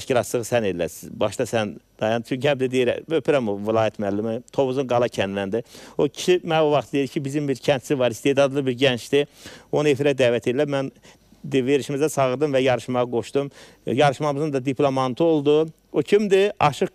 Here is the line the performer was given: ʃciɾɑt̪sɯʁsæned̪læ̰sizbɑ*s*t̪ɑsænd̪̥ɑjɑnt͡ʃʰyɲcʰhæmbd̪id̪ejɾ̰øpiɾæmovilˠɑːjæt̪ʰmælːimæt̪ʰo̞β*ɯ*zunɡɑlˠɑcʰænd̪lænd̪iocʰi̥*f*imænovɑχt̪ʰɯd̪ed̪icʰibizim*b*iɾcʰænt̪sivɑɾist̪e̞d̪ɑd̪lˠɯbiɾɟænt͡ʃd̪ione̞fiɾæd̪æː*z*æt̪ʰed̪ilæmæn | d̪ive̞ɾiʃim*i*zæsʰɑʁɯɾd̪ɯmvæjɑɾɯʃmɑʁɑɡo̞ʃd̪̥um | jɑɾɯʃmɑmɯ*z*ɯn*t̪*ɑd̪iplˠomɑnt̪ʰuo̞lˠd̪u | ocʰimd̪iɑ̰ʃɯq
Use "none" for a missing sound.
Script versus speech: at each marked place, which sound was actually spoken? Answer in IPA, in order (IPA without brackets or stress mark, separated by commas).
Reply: ʃ, u, ʃ, b, v, i, z, d̪